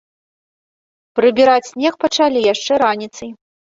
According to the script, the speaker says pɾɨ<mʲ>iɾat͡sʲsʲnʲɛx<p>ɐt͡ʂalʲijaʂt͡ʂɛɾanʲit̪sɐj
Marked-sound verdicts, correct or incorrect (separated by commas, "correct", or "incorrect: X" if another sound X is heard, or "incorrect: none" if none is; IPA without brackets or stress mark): incorrect: bʲ, correct